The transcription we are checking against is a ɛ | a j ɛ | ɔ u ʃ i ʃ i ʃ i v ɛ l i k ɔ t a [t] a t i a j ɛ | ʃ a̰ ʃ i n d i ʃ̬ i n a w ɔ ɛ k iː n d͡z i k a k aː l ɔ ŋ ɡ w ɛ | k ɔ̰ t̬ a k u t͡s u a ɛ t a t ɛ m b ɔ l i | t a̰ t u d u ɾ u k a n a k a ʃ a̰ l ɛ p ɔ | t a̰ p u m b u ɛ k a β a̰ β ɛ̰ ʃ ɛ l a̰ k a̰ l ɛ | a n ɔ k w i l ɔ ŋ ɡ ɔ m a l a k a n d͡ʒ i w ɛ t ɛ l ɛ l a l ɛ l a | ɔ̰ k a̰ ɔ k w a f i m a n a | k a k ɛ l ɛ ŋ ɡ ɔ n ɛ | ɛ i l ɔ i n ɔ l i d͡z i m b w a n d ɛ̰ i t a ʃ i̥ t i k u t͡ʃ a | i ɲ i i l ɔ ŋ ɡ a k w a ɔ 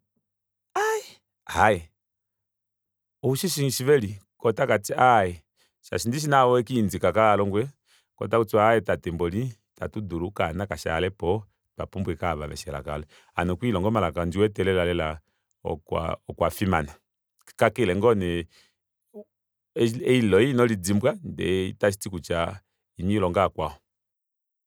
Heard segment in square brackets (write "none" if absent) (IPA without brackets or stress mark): k